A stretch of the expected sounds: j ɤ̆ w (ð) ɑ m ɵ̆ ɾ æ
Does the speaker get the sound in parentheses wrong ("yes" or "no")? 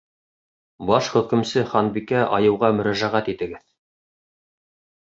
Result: yes